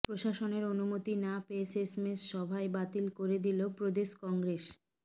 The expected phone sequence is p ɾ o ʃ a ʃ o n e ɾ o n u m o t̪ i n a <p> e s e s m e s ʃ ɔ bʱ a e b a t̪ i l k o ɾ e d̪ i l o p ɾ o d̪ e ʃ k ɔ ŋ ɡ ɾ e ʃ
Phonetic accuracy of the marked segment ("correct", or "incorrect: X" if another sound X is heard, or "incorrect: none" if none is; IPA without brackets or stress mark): correct